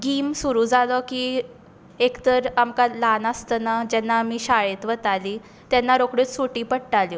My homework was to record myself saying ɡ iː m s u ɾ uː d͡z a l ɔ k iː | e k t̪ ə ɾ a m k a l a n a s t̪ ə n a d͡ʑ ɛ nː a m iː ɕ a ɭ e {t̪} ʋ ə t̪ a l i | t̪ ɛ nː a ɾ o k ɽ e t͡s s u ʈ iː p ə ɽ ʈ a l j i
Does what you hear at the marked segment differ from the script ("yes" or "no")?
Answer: no